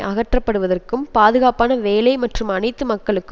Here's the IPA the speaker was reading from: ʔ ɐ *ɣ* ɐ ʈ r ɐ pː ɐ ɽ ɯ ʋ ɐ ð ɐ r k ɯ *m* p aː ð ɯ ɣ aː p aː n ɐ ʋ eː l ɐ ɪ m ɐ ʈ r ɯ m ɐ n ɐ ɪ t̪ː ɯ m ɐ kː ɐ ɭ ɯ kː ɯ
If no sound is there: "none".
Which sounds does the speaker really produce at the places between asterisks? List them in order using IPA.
ɣ, m

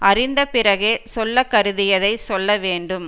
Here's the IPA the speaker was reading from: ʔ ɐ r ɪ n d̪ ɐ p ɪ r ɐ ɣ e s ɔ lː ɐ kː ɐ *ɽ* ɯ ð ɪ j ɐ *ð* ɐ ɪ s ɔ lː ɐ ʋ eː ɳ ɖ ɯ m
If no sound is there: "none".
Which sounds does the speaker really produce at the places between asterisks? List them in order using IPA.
ɾ, ð

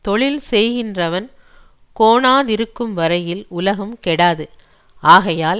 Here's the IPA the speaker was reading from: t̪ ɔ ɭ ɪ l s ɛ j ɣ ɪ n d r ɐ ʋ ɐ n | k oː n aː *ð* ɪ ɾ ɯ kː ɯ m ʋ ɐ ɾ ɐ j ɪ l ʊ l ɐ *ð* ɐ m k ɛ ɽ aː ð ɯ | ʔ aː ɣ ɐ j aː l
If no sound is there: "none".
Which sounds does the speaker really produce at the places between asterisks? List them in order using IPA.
ð, ɣ

